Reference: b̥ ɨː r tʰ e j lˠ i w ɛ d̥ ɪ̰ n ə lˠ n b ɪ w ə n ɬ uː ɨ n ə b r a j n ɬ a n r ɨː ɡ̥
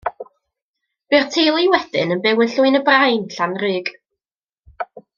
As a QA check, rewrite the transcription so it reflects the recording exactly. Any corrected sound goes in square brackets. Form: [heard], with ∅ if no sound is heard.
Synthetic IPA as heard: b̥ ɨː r tʰ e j lˠ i w ɛ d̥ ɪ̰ n ə [∅] n b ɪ w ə n ɬ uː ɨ n ə b r a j n ɬ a n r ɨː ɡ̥